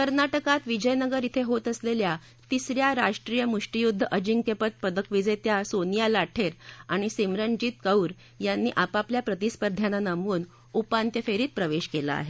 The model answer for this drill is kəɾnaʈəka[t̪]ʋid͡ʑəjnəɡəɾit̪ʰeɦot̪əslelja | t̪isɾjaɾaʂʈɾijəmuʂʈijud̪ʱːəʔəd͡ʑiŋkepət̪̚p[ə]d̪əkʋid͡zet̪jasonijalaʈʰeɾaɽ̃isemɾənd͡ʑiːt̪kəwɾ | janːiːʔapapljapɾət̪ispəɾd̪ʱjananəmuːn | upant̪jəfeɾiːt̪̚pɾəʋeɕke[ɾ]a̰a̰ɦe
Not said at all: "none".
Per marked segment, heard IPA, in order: t̪, ə, l

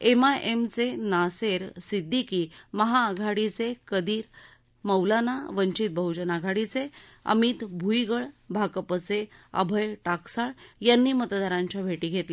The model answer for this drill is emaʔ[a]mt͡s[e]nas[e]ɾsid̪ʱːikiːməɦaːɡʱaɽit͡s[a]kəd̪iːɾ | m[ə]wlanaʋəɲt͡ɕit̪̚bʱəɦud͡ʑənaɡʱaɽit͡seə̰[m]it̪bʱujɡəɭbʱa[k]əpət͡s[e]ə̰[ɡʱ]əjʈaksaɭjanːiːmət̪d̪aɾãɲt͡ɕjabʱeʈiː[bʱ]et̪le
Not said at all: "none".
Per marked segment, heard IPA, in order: e, e, e, e, ə, m, k, e, bʱ, ɡʱ

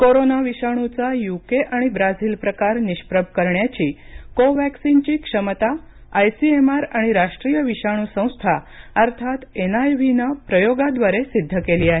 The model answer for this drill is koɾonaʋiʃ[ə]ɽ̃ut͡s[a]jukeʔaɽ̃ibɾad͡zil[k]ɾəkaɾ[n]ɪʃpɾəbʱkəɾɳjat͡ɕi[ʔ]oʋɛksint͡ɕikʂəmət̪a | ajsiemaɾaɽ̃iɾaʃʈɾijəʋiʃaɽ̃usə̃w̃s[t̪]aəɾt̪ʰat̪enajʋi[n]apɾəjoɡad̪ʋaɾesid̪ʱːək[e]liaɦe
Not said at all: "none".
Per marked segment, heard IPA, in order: a, a, p, n, k, t̪ʰ, n, e

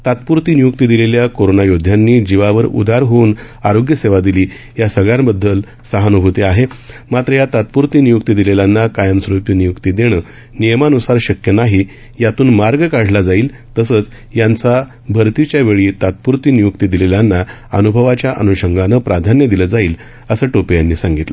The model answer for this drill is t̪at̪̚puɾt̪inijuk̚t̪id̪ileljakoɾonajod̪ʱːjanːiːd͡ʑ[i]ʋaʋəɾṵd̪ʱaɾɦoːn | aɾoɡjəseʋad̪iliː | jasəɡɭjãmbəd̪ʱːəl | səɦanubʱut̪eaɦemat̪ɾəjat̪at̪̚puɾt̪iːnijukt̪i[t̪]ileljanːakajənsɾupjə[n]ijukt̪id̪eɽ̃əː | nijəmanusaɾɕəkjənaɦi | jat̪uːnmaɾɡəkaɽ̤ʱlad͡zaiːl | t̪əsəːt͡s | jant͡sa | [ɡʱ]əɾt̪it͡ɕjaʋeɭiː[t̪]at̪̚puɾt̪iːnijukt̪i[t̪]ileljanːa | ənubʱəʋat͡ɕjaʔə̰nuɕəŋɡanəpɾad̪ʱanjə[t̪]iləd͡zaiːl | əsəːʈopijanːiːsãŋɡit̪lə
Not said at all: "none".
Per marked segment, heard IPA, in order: i, d̪, n, bʱ, t̪, d̪, d̪

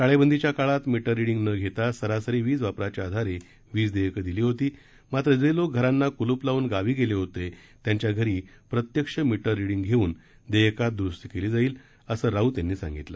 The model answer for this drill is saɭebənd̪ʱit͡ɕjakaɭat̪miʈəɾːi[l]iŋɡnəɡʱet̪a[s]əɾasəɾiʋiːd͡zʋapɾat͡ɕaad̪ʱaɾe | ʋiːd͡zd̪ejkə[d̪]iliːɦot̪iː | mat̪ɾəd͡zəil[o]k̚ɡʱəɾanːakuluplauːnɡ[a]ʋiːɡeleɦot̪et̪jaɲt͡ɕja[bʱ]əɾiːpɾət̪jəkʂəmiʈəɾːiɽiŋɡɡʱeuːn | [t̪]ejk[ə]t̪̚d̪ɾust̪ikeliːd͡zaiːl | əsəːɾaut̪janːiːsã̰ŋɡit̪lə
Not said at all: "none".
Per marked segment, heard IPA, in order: ɽ, s, d̪, o, a, ɡʱ, d̪, a

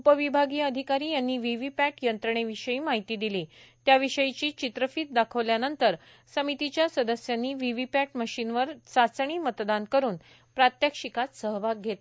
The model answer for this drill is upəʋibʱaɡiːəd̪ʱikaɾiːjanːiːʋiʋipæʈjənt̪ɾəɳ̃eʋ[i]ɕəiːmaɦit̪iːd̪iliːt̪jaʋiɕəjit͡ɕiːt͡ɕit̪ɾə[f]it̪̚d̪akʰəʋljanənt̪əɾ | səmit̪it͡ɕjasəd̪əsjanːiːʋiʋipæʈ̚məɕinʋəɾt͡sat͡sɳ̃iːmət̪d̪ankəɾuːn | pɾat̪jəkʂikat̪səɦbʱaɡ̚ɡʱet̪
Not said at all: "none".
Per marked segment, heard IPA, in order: i, f

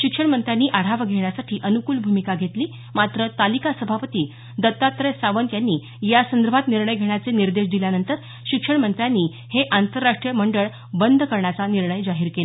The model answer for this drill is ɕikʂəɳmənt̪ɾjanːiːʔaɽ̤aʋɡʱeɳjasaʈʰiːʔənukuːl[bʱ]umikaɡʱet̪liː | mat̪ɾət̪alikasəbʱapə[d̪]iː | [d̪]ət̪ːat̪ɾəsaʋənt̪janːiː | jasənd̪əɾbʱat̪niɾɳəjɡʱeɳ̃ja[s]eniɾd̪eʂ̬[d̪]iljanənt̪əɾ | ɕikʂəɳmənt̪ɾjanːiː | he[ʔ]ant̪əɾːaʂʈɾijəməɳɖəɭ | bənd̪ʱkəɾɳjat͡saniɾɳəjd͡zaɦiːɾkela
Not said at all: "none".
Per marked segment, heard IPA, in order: bʱ, t̪, d̪, t͡s, d̪, ʔ

